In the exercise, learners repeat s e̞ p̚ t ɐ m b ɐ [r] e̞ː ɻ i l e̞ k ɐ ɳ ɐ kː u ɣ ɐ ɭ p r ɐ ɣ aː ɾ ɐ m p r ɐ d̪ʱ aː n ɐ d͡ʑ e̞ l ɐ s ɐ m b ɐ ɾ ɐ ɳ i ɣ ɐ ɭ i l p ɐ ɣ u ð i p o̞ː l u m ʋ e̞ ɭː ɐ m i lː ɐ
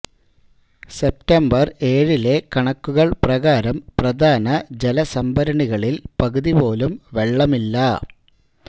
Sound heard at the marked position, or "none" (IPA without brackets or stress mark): r